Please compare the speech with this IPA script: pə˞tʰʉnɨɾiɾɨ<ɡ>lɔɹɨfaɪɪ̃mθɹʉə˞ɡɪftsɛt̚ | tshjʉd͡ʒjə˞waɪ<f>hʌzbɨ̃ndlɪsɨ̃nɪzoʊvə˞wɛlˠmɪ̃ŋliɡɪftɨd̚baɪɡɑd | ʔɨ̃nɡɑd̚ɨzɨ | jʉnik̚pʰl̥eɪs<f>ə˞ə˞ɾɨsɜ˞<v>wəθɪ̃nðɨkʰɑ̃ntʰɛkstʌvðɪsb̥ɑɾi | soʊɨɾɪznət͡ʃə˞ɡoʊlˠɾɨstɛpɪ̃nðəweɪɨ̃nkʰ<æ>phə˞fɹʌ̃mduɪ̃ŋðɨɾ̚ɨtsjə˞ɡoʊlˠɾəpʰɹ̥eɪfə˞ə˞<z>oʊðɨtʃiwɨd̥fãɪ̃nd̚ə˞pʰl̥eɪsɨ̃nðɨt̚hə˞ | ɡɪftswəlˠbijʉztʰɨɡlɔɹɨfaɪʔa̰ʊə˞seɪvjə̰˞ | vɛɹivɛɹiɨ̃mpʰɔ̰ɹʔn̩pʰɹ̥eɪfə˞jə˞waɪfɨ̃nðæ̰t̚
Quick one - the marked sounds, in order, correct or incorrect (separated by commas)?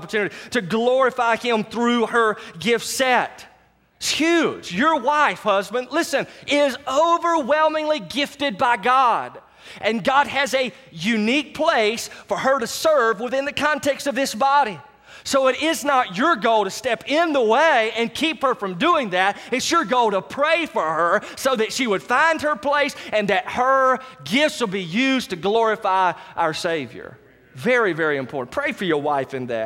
correct, correct, correct, correct, incorrect, incorrect